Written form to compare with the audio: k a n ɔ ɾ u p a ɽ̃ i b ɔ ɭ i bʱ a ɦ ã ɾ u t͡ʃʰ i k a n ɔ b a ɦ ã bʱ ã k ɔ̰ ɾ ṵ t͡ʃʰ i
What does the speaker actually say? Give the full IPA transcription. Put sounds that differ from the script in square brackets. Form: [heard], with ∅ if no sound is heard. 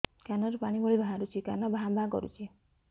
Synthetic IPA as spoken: k a n ɔ ɾ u p a ɽ̃ i b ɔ ɭ i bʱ a ɦ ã ɾ u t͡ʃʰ i k a n ɔ b a ɦ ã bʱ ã k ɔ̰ ɾ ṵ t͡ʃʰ i